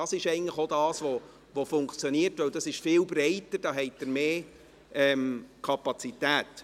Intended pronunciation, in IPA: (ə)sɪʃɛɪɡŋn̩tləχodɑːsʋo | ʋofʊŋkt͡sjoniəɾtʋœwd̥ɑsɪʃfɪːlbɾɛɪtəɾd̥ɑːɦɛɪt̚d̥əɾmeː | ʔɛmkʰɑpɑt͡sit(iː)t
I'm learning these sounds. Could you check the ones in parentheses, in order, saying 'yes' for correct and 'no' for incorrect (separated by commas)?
no, no